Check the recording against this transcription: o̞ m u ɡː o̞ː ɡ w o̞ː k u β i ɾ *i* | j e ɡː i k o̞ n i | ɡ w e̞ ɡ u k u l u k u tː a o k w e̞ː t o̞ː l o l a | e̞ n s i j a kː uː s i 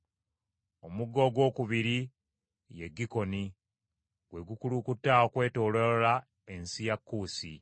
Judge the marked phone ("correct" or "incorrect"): correct